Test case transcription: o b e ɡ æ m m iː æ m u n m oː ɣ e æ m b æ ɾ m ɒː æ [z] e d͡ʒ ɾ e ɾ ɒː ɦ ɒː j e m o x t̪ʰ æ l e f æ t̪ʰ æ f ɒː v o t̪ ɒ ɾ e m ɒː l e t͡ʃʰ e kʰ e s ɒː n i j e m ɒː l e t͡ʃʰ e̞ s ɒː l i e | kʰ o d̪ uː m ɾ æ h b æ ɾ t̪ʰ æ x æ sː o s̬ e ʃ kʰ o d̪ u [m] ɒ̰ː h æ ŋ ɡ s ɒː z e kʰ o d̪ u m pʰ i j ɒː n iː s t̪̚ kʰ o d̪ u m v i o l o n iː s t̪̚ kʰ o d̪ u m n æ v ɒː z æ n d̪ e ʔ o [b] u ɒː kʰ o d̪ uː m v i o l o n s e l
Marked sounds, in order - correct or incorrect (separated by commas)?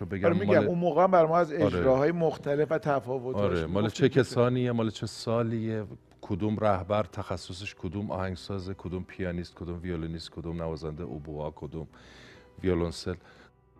correct, correct, correct